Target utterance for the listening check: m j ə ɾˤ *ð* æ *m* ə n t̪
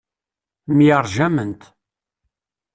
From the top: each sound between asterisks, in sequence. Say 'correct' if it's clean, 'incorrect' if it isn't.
incorrect: ʒ, correct

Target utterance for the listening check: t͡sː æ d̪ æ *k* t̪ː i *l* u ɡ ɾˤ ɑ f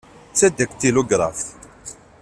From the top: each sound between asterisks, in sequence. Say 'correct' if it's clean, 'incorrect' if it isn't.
correct, correct

